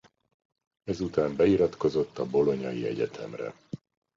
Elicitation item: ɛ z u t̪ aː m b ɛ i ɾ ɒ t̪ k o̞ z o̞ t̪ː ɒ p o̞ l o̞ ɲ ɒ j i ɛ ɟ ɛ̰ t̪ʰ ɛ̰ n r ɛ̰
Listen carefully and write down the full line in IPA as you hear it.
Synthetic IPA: ɛ z u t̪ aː m b ɛ i ɾ ɒ t̪ k o̞ z o̞ t̪ː ɒ b o̞ l o̞ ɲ ɒ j i ɛ ɟ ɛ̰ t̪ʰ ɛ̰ m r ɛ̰